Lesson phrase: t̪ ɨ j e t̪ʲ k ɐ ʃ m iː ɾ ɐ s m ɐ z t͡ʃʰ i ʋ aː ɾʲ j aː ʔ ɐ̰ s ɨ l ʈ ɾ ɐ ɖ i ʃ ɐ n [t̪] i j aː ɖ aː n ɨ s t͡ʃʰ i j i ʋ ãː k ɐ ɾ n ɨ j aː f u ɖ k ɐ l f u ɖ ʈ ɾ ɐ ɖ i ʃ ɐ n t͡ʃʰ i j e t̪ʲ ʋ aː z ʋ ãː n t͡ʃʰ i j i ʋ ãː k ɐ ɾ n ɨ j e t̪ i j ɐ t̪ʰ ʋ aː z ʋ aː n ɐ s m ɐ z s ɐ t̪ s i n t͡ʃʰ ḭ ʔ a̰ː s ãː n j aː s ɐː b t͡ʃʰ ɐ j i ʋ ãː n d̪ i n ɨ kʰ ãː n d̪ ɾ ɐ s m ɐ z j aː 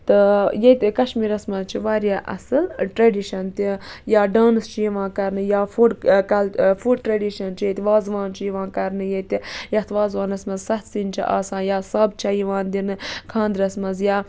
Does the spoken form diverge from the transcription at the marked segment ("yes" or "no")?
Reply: no